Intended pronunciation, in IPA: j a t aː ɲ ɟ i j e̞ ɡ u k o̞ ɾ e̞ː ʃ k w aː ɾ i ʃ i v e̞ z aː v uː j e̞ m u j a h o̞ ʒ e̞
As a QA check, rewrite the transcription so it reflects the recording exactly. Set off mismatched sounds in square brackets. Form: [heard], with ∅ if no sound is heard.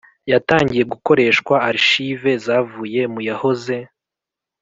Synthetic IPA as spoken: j a t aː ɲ ɟ i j e̞ ɡ u k o̞ ɾ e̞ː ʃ k w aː ɾ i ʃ i v e̞ z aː v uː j e̞ m u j a h o̞ [z] e̞

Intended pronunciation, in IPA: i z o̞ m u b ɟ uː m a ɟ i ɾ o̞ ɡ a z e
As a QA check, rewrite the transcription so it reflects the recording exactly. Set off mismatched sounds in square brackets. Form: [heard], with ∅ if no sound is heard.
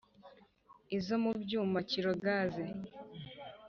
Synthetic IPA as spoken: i z o̞ m u b ɟ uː m a [c] i ɾ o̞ ɡ a z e

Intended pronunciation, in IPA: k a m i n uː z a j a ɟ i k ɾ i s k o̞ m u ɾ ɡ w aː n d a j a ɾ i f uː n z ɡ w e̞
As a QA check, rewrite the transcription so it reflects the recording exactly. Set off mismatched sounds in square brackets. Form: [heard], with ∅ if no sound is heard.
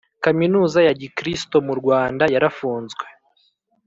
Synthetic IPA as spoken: k a m i n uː z a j a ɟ i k ɾ i s [t] o̞ m u ɾ ɡ w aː n d a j a ɾ [a] f uː n z ɡ w e̞

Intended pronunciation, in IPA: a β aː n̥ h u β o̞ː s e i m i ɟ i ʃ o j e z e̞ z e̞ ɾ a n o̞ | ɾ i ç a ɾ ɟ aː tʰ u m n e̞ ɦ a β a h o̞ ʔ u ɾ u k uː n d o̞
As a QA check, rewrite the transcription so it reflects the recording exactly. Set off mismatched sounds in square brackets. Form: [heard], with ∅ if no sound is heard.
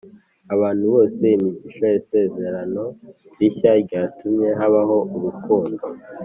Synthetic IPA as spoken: a β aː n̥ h u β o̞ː s e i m i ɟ i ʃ o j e [s] e̞ z e̞ ɾ a n o̞ | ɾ i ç a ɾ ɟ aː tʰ u m [ɲ] e̞ ɦ a β a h o̞ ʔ u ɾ u k uː n d o̞

